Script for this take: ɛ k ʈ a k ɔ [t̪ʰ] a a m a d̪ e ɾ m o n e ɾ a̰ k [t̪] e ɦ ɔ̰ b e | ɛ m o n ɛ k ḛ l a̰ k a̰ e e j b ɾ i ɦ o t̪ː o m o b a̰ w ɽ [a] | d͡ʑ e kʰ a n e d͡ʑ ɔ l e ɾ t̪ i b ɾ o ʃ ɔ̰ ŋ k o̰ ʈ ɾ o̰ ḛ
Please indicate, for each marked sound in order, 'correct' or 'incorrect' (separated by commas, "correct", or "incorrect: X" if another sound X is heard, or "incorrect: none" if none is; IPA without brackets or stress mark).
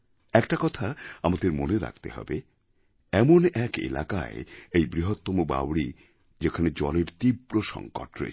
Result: correct, correct, incorrect: i